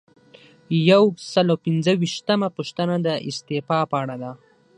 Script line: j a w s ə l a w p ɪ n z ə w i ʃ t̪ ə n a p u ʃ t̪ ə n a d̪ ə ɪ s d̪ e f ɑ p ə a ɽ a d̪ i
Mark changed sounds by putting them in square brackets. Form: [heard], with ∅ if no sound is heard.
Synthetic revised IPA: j a w s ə l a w p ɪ n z ə w i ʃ t̪ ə [m] a p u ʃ t̪ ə n a d̪ ə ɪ s [t̪] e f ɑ p ə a ɽ a d̪ [a]